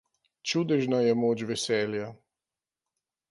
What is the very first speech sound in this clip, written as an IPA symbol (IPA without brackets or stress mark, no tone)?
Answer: t͡ʃ